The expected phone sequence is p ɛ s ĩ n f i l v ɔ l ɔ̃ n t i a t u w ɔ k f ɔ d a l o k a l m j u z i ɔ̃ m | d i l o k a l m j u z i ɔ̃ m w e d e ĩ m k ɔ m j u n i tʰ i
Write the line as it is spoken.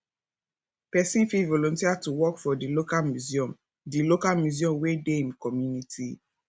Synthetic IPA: p ɛ s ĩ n f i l v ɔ l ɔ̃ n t i a t u w ɔ k f ɔ d i l o k a l m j u z i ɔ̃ m | d i l o k a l m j u z i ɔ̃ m w e d e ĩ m k ɔ m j u n i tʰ i